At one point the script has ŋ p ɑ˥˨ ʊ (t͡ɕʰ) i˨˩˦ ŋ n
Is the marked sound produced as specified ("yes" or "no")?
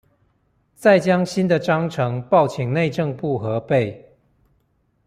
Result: yes